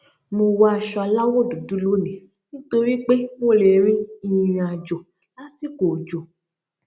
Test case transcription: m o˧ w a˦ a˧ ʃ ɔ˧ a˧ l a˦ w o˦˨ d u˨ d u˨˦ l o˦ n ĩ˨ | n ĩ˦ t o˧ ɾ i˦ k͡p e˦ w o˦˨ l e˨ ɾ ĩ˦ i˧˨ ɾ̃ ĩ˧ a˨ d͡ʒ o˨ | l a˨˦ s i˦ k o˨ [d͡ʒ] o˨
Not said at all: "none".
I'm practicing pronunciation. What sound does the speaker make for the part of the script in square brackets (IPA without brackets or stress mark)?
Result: d͡ʒ